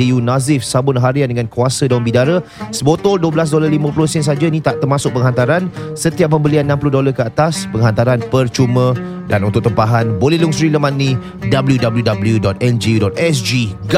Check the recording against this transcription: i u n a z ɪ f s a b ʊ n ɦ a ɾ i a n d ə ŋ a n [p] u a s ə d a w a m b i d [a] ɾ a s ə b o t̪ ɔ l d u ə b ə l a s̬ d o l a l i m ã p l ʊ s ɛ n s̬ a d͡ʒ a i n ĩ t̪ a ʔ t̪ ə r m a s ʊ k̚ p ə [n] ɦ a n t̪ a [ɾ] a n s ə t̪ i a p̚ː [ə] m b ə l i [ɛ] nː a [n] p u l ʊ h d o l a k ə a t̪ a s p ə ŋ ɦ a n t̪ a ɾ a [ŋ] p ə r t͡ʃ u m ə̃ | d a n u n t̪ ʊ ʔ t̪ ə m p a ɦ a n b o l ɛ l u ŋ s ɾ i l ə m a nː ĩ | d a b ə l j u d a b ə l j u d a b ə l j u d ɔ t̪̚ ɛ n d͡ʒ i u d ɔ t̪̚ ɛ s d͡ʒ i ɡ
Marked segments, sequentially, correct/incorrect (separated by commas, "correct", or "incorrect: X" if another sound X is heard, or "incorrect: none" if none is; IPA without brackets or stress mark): incorrect: k, correct, incorrect: ŋ, correct, correct, incorrect: a, incorrect: m, incorrect: n